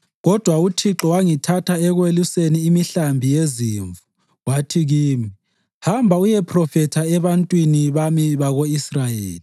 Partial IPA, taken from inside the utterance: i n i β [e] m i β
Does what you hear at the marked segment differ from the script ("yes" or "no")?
yes